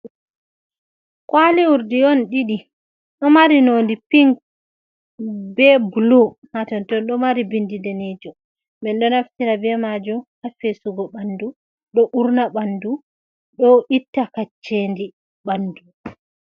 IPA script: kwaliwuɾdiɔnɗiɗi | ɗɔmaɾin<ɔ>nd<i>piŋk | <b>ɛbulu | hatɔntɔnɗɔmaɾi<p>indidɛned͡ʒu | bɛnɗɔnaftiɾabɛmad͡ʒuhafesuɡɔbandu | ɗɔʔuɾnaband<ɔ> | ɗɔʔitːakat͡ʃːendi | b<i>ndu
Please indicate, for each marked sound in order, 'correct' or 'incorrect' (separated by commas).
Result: incorrect, correct, correct, incorrect, incorrect, incorrect